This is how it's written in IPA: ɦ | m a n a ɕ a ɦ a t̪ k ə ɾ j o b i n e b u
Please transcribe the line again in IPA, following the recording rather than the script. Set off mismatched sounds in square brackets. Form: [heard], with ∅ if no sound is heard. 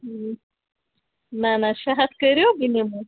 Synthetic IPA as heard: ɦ | [n] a n a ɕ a ɦ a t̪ k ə ɾ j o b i n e [m] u